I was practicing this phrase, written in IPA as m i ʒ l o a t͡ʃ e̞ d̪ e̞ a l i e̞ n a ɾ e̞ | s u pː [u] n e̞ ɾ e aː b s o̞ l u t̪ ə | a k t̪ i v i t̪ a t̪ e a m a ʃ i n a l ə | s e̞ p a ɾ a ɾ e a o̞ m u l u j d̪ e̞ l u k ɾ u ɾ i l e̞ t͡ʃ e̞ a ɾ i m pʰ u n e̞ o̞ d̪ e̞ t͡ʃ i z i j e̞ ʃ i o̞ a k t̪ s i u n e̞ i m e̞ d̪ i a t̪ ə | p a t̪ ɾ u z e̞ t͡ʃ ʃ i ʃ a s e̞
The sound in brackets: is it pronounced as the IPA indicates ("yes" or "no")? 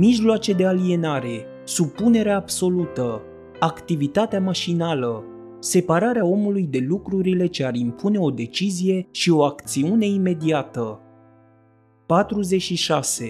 yes